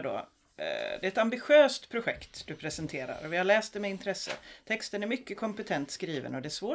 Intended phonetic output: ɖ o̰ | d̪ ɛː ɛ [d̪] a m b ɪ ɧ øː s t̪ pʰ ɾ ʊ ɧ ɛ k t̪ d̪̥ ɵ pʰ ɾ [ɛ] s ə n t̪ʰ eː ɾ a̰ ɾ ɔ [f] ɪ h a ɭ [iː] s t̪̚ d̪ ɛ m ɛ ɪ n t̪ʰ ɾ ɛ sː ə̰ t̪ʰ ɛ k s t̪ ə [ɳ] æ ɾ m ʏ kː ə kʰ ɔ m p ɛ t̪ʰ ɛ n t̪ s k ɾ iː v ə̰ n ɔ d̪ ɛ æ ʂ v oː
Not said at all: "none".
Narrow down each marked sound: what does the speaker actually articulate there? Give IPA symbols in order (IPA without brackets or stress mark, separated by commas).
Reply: t̪, ɛ, v, ɛː, n